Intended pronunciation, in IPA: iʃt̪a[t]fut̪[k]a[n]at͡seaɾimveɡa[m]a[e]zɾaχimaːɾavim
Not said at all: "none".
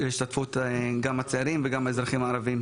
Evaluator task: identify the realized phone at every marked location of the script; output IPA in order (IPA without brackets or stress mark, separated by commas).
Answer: t, ɡ, m, m, e